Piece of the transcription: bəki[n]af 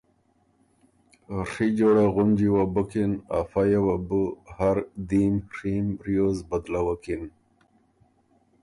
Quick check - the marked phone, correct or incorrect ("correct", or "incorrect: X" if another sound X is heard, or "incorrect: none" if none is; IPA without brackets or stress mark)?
correct